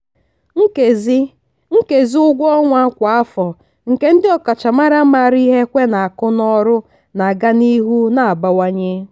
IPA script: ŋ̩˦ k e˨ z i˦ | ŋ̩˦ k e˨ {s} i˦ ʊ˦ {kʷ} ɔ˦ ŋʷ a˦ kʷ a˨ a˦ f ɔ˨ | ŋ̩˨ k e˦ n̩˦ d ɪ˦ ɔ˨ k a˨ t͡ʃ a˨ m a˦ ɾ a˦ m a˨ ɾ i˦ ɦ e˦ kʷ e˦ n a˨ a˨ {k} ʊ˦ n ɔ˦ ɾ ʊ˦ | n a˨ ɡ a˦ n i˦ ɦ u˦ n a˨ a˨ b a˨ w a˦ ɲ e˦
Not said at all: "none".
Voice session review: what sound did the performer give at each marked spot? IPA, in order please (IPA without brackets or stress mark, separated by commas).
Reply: z, ɡʷ, k